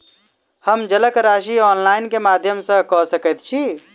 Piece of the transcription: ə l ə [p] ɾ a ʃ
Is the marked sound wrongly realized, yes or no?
yes